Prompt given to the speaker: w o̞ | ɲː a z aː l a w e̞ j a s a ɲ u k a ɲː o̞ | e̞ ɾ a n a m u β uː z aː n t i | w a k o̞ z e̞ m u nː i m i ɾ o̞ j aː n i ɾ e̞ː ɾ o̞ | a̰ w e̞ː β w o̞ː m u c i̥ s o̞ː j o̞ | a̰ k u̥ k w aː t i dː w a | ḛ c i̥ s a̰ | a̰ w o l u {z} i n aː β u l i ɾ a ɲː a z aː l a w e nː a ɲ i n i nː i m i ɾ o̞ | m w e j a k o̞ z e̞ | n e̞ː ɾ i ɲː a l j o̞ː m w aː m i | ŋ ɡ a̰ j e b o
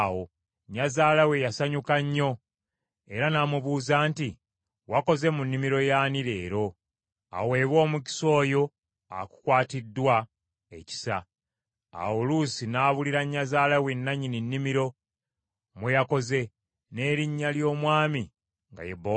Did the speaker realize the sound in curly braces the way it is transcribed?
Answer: no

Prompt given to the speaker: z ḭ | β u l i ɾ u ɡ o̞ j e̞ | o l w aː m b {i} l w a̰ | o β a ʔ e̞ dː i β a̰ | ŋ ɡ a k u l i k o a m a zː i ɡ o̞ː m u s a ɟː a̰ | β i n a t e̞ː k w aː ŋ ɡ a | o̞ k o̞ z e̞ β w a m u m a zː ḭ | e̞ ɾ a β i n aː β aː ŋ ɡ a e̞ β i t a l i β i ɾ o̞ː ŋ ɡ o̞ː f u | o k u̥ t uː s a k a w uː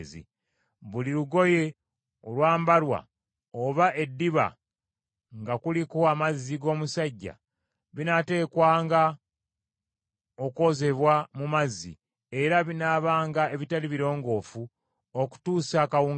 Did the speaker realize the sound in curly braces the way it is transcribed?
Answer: no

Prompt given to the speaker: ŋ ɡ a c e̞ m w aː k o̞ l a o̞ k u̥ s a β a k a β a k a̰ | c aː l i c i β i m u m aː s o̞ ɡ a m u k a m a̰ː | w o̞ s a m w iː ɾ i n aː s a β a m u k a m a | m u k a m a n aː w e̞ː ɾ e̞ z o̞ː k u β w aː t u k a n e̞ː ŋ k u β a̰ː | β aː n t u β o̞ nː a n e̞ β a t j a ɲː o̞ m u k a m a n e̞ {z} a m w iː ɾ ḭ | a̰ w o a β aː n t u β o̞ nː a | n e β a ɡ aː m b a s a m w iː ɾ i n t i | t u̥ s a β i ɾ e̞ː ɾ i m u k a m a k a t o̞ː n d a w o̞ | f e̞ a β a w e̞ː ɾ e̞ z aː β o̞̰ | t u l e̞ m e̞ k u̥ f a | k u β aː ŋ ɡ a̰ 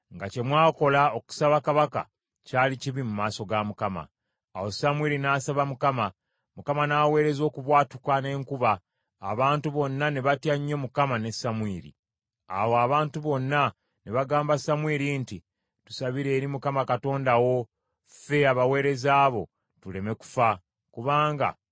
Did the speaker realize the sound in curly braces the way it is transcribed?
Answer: no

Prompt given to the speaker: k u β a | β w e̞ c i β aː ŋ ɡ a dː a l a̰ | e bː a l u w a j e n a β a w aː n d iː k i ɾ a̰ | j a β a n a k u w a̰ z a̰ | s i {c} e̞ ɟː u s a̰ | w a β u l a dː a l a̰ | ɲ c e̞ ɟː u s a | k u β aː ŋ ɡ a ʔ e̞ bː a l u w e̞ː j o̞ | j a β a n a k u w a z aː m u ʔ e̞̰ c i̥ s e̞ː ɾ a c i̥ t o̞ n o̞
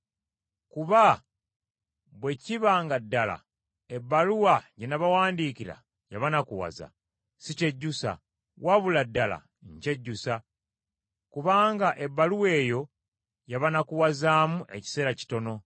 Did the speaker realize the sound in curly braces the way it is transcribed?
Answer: yes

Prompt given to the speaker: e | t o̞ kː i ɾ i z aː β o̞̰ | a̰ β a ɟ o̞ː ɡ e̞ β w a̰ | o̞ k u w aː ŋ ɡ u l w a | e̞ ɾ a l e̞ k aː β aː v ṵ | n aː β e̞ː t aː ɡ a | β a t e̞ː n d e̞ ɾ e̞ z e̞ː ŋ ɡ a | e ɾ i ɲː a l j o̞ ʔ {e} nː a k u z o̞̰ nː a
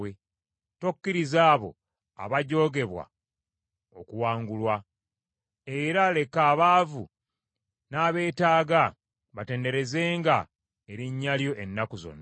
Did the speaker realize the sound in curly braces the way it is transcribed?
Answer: yes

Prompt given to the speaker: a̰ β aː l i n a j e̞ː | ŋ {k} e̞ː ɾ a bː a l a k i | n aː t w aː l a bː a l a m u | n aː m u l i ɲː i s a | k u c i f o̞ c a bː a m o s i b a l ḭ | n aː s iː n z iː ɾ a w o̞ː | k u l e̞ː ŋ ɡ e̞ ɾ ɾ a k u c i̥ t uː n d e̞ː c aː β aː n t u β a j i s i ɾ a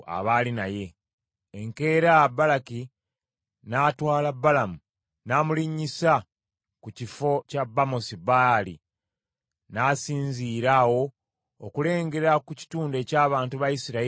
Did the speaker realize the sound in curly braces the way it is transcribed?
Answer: yes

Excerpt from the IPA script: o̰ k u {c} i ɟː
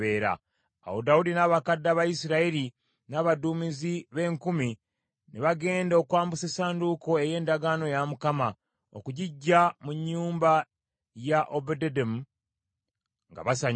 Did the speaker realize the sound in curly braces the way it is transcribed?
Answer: no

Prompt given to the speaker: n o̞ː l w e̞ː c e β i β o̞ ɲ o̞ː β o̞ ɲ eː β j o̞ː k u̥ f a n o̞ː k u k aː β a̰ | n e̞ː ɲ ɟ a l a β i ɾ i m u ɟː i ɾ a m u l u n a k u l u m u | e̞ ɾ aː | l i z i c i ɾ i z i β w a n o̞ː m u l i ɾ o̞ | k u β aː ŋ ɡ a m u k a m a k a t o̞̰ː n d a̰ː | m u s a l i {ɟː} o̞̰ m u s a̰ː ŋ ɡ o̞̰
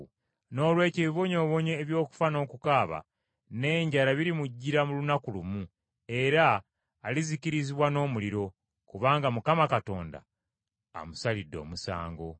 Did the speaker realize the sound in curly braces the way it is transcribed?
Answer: no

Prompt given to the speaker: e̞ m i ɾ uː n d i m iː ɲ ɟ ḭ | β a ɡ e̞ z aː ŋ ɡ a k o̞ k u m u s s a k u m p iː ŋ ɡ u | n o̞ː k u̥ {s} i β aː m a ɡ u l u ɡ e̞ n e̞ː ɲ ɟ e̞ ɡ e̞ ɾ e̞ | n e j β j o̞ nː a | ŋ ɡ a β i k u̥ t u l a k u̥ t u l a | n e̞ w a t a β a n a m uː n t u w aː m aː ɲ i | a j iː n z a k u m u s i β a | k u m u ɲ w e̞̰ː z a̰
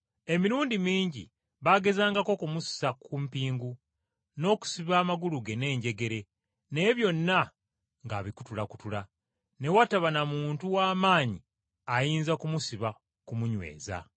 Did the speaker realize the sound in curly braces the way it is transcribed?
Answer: yes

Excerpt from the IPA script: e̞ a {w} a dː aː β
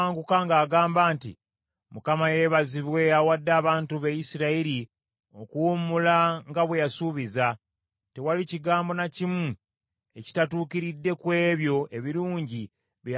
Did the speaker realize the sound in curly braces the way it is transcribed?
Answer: yes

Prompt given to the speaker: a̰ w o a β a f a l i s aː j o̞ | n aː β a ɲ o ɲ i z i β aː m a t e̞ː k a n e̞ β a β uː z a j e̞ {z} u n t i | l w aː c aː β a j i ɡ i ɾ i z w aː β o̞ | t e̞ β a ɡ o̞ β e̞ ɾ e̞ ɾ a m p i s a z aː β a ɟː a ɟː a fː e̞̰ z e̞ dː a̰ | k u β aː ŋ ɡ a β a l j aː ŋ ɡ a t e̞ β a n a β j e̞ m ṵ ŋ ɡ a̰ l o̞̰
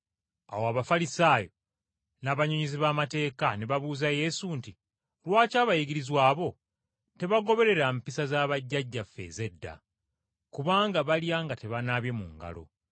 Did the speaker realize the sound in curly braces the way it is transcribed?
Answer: no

